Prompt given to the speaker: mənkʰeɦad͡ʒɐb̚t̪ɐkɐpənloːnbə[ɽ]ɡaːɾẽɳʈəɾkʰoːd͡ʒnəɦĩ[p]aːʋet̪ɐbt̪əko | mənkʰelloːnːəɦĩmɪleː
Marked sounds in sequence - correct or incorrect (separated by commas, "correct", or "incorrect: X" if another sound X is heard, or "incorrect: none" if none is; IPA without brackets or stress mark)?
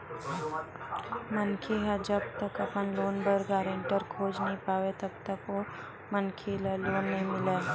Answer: incorrect: ɾ, correct